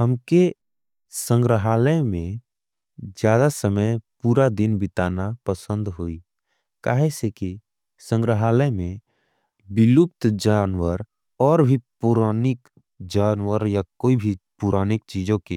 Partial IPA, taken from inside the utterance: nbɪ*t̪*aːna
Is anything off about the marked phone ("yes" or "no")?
no